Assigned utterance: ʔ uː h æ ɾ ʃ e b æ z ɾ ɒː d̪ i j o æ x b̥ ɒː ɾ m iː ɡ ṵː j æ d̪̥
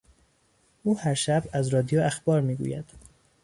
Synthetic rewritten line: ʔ uː h æ ɾ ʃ æ b æ z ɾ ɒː d̪ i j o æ x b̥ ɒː ɾ m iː ɡ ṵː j æ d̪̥